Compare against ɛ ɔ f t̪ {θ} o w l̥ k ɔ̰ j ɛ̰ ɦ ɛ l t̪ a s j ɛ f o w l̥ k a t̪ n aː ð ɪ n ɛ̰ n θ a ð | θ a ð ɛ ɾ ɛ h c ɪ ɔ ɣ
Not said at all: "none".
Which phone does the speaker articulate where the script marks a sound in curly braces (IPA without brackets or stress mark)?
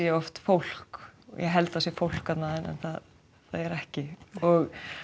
f